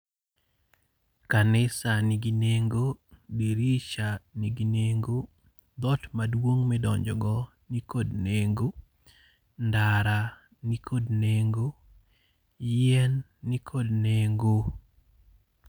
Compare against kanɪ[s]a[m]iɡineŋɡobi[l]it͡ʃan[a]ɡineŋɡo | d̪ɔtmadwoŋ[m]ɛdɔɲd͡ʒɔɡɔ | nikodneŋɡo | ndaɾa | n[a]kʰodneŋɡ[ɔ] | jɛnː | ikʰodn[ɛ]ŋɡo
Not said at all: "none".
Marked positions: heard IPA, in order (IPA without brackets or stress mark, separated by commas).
s, n, ɾ, i, m, i, o, e